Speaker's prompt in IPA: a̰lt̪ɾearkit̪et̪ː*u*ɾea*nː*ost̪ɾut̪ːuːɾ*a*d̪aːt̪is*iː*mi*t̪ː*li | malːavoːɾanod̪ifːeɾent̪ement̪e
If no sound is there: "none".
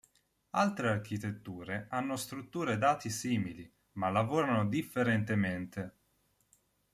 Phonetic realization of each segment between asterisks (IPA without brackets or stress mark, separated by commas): uː, nː, e, iː, none